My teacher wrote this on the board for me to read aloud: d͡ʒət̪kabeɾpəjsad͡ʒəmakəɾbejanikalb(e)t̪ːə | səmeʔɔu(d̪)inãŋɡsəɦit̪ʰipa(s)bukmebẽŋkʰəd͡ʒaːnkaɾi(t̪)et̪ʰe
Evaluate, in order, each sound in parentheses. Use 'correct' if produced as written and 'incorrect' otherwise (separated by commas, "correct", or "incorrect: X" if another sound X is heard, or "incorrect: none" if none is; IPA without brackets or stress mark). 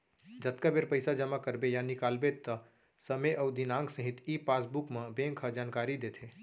correct, correct, correct, incorrect: d̪